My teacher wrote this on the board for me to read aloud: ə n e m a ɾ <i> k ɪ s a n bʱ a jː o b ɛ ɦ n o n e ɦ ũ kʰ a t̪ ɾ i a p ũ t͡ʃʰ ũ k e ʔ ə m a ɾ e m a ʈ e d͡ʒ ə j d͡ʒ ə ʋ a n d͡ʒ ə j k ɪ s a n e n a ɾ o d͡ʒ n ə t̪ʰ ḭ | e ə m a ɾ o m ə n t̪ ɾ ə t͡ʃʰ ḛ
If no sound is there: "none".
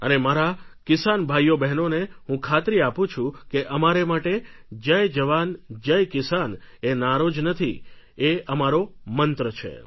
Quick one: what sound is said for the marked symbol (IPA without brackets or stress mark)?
a